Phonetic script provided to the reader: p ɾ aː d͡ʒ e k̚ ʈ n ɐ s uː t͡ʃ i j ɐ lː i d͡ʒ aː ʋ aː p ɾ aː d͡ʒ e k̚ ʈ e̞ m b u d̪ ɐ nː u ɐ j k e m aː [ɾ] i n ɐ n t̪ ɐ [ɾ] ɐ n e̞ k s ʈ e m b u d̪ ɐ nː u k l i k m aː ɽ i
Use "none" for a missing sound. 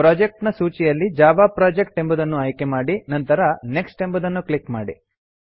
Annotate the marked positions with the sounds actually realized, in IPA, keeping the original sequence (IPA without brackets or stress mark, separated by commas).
ɽ, ɾ